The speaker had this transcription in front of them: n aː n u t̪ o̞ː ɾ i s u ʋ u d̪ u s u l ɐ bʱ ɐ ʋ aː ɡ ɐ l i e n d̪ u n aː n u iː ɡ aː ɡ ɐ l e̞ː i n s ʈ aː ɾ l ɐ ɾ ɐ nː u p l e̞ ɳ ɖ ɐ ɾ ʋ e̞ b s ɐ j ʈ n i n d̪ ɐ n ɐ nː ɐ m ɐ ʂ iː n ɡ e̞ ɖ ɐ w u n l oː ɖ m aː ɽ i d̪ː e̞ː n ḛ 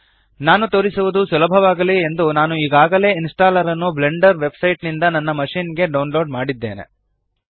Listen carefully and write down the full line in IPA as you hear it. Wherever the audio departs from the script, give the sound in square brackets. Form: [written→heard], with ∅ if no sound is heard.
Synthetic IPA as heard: n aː n u t̪ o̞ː ɾ i s u ʋ u d̪ u s u l ɐ bʱ ɐ ʋ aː ɡ ɐ l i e n d̪ u n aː n u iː ɡ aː ɡ ɐ l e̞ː i n s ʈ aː [ɾ→∅] l ɐ ɾ ɐ nː u [p→b] l e̞ ɳ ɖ ɐ ɾ ʋ e̞ b s ɐ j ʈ n i n d̪ ɐ n ɐ nː ɐ m ɐ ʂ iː n ɡ e̞ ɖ ɐ w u n l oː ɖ m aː ɽ i d̪ː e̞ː n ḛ